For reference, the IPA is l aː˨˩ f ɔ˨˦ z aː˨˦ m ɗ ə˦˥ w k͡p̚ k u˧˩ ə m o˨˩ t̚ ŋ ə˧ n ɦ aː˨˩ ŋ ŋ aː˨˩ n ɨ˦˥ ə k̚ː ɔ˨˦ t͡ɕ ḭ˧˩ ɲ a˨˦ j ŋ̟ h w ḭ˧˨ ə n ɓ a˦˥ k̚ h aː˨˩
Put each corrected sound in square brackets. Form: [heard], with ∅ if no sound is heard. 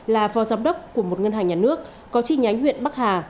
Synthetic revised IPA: l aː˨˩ f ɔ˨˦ z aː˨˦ m ɗ ə˦˥ w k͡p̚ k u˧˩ ə m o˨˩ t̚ ŋ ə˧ n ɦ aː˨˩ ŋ [ɲ] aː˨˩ n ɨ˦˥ ə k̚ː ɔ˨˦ t͡ɕ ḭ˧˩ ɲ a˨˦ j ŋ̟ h w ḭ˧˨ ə n ɓ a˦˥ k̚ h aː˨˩